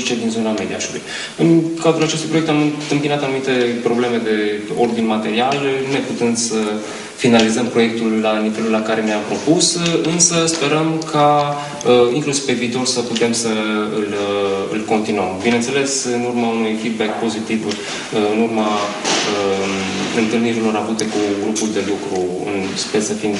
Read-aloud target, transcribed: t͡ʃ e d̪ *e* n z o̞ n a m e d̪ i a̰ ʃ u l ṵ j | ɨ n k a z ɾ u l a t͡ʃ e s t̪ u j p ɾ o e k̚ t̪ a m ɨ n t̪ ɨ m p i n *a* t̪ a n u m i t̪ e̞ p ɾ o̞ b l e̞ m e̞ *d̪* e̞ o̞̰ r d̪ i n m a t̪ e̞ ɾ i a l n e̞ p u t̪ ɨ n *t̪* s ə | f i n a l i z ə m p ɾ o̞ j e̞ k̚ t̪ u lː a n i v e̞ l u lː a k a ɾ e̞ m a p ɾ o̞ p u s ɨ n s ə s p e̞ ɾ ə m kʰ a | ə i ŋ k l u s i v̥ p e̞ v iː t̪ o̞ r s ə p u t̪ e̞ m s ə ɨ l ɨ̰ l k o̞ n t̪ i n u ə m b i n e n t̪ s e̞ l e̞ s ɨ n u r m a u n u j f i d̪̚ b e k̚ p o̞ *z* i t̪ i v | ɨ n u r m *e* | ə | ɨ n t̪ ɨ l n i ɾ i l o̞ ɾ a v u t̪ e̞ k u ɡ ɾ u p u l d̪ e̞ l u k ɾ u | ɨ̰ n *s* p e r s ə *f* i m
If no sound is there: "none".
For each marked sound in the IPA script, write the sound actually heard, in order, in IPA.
i, a, d̪, d̪, z, a, s, f

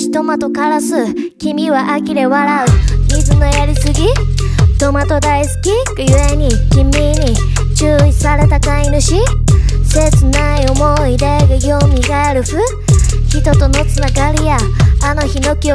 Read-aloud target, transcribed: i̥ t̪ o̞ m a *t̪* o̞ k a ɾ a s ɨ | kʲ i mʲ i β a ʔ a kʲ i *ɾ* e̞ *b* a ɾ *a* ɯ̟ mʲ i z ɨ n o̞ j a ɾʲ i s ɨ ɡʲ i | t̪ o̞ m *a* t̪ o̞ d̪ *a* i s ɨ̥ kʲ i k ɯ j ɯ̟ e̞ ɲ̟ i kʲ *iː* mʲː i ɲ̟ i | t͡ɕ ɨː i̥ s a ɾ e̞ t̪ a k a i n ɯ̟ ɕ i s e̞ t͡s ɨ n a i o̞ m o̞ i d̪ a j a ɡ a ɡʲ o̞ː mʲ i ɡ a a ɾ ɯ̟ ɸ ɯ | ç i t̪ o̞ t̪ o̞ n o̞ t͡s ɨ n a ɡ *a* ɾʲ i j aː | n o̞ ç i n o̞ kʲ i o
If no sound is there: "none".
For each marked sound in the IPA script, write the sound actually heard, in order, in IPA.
t̪, ɾ, β, a, a, a, i, a

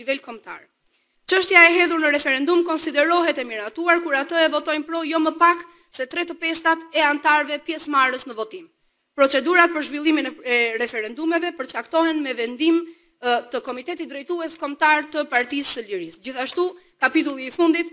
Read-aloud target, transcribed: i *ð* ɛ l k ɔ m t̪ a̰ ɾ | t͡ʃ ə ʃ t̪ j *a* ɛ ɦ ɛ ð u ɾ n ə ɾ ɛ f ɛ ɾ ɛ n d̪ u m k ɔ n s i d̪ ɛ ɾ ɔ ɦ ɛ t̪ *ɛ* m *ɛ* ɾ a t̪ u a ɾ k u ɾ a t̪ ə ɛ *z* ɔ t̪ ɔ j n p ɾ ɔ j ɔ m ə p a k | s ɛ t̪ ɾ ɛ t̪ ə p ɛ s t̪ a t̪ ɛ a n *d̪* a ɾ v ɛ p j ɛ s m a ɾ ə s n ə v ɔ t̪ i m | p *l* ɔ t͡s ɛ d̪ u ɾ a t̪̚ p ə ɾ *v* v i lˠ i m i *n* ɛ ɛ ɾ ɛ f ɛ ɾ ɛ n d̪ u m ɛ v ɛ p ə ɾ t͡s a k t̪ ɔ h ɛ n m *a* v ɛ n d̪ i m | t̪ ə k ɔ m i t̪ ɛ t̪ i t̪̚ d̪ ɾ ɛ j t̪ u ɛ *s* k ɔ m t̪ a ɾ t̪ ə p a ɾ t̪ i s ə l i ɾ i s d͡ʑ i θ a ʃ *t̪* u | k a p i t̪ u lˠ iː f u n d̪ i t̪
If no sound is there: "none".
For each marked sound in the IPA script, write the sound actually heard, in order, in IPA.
v, a, ɛ, i, v, t̪, ɾ, ʒ, n, ɛ, s, t̪

